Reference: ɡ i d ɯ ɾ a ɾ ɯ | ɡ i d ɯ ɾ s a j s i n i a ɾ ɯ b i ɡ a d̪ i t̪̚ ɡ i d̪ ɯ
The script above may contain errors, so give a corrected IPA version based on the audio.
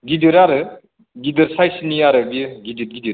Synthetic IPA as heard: ɡ i d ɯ ɾ a ɾ ɯ | ɡ i d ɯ ɾ s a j s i n i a ɾ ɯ b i ɡ i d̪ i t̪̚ ɡ i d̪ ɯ